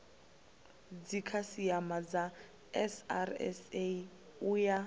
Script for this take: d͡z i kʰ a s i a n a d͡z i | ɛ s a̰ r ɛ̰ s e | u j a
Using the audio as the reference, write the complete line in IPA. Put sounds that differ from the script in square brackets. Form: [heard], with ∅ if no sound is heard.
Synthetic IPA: d͡z i kʰ a s i a [m] a d͡z [a] | ɛ s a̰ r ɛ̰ s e | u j a